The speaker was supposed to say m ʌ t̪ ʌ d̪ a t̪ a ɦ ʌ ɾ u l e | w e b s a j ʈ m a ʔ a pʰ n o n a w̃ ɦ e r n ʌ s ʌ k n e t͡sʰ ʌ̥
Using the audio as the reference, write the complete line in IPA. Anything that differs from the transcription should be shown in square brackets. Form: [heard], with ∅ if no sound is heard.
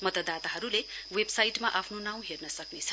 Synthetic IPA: m ʌ t̪ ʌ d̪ a t̪ a ɦ ʌ ɾ u l e | w e b s a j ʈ m a ʔ a pʰ n o n a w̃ ɦ e r n ʌ s ʌ k n e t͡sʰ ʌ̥